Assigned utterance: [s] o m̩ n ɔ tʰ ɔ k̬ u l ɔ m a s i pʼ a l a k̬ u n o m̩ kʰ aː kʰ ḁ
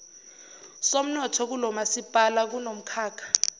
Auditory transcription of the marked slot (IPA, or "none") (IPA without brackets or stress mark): s